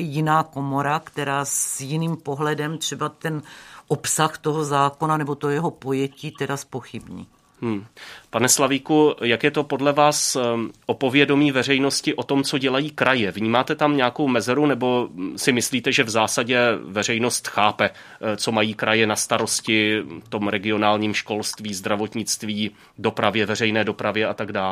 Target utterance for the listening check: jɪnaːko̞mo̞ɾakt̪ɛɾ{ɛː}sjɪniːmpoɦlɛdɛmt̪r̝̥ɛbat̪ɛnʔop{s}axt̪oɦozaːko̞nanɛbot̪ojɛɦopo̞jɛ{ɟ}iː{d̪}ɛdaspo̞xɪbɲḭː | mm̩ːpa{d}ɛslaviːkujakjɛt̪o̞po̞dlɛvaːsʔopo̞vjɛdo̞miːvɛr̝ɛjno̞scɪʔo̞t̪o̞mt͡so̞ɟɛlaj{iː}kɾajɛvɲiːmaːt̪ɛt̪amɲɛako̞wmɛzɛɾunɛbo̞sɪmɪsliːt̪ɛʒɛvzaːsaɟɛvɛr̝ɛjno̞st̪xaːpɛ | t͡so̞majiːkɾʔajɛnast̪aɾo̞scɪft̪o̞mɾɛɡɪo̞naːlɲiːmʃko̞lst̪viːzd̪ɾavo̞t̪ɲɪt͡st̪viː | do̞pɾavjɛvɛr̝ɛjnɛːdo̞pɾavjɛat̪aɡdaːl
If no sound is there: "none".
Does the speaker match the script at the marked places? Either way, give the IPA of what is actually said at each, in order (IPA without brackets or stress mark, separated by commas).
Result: aː, s, c, t̪, n, iː